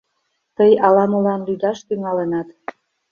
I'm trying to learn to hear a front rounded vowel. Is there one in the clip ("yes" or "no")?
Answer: yes